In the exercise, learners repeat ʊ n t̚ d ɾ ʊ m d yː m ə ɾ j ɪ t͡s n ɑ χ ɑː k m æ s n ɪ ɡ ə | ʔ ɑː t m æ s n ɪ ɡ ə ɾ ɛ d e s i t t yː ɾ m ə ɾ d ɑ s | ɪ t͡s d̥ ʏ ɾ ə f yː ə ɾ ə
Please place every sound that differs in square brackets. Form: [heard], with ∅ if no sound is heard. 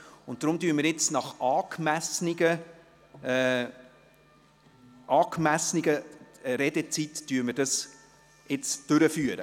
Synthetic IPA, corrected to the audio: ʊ n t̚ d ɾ ʊ m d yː m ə ɾ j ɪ t͡s n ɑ χ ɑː k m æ s n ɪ ɡ ə | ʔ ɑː [k] m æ s n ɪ ɡ ə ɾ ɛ d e [t͡s] i t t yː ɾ m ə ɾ d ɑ s | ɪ t͡s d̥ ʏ ɾ ə f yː ə ɾ ə